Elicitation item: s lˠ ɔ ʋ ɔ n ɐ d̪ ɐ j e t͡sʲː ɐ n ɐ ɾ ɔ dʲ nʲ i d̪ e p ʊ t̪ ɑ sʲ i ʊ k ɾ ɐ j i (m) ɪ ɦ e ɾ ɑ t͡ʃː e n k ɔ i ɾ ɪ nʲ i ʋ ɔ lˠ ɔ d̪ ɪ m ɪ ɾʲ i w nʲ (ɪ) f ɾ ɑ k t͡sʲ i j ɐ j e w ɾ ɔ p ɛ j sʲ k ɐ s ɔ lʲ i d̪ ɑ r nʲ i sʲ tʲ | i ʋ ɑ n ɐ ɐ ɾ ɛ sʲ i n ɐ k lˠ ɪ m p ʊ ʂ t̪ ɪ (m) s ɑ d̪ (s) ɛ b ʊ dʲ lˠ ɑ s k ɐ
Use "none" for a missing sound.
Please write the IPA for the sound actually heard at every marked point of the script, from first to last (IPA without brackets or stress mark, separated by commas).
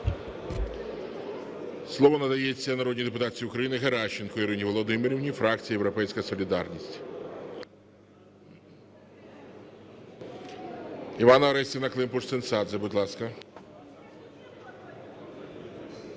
n, i, n, z